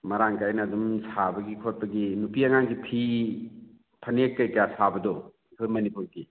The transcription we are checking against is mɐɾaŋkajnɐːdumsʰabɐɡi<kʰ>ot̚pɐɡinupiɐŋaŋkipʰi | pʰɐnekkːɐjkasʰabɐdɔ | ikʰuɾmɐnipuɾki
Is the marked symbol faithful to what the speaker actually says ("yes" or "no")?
yes